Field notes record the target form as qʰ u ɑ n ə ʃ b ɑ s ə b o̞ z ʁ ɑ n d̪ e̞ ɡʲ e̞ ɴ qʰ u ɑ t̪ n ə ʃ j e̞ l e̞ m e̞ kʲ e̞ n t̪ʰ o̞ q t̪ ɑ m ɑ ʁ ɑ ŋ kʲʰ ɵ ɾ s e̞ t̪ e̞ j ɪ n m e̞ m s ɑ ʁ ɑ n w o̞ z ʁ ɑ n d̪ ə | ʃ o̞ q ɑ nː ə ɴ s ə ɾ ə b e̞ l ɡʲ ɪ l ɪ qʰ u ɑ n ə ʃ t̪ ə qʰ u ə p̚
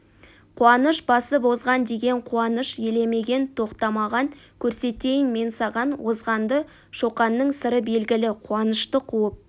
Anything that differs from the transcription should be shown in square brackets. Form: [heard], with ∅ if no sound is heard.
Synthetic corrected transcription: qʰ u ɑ n ə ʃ b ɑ s ə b o̞ z ʁ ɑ n d̪ e̞ ɡʲ e̞ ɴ qʰ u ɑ [∅] n ə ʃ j e̞ l e̞ m e̞ [ɡʲ] e̞ n t̪ʰ o̞ q t̪ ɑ m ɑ ʁ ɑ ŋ kʲʰ ɵ ɾ s e̞ t̪ e̞ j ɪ n m e̞ [n] s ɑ ʁ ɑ n w o̞ z ʁ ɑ n d̪ ə | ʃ o̞ q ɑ nː ə ɴ s ə ɾ ə b e̞ l ɡʲ ɪ l ɪ qʰ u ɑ n ə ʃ t̪ ə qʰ u ə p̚